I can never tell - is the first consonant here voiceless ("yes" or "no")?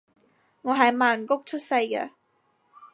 no